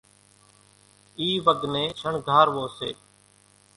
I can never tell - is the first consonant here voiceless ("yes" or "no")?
no